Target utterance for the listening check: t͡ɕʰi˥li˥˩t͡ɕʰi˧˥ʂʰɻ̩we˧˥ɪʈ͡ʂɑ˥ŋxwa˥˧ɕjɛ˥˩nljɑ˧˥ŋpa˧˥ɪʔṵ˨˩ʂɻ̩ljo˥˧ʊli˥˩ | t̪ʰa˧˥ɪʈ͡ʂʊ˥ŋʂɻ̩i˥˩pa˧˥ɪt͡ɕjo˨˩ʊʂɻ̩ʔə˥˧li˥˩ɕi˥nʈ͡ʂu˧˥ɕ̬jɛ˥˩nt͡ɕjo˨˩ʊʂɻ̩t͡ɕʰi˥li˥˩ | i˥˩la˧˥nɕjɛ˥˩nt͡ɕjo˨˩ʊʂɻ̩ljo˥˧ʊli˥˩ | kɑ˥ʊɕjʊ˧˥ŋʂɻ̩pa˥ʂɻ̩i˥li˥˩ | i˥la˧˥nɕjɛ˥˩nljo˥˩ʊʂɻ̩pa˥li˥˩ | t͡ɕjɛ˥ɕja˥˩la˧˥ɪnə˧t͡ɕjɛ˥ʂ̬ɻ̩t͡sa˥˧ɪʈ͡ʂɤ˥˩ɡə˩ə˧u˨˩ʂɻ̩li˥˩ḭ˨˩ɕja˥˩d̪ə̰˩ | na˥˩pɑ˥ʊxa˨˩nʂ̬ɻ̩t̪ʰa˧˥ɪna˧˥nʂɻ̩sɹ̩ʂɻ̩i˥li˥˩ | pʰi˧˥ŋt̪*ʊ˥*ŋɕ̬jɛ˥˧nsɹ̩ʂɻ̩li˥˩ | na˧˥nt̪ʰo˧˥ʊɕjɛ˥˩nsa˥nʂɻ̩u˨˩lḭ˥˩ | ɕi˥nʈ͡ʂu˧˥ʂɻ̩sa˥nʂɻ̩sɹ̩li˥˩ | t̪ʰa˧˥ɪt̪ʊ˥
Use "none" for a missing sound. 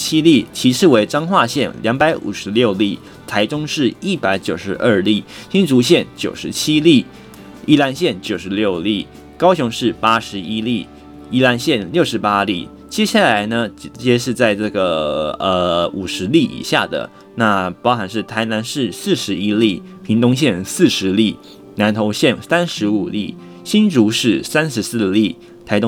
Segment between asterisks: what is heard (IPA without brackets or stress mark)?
ʊ˥